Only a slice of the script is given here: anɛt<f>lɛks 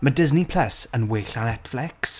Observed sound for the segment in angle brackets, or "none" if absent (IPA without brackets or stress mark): f